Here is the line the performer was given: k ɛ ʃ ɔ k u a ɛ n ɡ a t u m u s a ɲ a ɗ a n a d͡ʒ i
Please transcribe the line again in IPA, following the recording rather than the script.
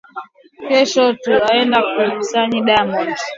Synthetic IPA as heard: k ɛ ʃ ɔ t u a ɛ n d a k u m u s a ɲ i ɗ a m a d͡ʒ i